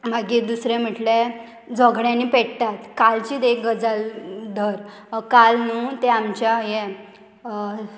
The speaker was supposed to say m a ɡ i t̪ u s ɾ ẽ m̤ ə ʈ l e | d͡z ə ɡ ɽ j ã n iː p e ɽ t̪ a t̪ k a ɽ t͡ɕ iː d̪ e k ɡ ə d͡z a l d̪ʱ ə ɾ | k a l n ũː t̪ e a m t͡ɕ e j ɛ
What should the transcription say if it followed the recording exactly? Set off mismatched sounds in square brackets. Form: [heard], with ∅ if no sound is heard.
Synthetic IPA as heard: m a ɡ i [d̪] u s ɾ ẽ m̤ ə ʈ l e | d͡z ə ɡ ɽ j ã n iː p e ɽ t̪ a t̪ k a [l] t͡ɕ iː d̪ e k ɡ ə d͡z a l d̪ʱ ə ɾ | k a l n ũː t̪ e a m t͡ɕ [a] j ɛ